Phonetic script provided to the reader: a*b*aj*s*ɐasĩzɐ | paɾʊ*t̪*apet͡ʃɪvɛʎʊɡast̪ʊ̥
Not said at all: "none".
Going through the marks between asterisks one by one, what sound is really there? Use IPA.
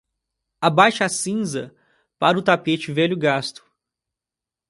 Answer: b, ʃ, t̪

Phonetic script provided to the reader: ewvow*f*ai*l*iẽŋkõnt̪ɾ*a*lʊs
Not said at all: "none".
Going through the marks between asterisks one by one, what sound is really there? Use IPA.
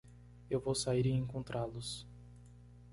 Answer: s, ɾ, a

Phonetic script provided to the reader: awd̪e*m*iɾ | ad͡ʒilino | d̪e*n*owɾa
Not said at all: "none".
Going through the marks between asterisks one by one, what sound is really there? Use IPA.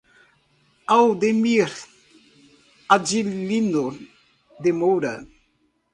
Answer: m, m

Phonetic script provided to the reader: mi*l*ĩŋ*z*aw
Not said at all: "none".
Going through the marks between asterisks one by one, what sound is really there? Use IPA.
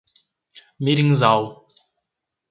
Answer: ɾ, z

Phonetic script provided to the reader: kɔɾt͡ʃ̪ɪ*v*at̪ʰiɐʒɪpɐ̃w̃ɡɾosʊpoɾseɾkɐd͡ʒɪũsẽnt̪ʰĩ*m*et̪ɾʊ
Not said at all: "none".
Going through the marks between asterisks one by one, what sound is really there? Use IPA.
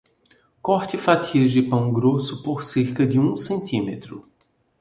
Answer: f, m

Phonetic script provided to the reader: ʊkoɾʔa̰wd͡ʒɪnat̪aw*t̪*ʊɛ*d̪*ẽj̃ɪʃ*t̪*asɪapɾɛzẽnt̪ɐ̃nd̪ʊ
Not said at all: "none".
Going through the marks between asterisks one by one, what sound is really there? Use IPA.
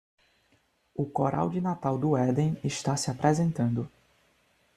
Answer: d̪, d̪, t̪

